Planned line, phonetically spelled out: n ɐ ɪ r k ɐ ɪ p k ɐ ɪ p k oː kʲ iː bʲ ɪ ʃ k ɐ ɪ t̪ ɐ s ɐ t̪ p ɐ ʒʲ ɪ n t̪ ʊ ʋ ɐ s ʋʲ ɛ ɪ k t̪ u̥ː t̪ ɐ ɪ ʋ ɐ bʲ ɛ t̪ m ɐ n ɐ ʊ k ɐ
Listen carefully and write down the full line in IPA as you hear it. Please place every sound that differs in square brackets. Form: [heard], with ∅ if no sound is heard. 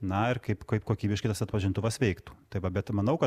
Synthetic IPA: n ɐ ɪ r k ɐ ɪ p k ɐ ɪ p k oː kʲ iː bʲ ɪ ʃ k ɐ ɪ t̪ ɐ s ɐ t̪ p ɐ ʒʲ ɪ n t̪ ʊ ʋ ɐ s ʋʲ ɛ ɪ k t̪ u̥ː t̪ ɐ ɪ ʋ ɐ bʲ ɛ t̪ m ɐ n ɐ ʊ k ɐ